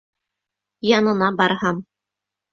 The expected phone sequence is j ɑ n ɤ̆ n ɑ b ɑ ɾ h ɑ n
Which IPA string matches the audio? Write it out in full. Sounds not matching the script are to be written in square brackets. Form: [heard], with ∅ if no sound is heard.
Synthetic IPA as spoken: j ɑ n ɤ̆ n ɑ b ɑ ɾ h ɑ [m]